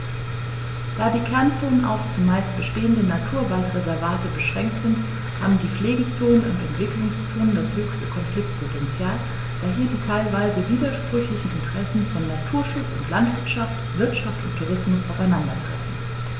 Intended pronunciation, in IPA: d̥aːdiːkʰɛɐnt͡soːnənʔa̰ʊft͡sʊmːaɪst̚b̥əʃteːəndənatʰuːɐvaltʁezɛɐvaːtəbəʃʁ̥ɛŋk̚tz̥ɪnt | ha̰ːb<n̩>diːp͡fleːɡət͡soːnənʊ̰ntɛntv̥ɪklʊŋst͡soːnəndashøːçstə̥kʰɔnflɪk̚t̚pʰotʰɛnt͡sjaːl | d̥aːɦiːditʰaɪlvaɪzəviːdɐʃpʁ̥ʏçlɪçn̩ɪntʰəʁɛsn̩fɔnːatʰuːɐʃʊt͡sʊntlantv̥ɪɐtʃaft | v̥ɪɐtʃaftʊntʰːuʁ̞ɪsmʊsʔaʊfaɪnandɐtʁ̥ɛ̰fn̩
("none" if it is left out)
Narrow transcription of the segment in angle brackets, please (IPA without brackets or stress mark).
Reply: m̩